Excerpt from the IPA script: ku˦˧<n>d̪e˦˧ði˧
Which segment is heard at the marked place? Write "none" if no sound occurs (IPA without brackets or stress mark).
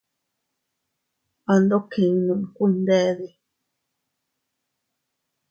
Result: n